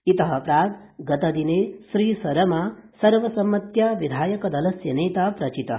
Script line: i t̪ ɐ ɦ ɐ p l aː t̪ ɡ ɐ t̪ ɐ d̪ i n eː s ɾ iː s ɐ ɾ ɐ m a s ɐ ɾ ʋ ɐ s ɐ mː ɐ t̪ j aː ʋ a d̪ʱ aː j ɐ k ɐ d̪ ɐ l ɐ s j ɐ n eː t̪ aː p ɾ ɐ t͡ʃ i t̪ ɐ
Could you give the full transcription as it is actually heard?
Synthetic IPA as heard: i t̪ ɐ ɦ ɐ p ɾ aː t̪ ɡ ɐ t̪ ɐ d̪ i n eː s ɾ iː s ɐ ɾ ɐ m a s ɐ ɾ ʋ ɐ s ɐ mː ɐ t̪ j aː ʋ i d̪ʱ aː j ɐ k ɐ d̪ ɐ l ɐ s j ɐ n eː t̪ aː p ɾ ɐ t͡ʃ i t̪ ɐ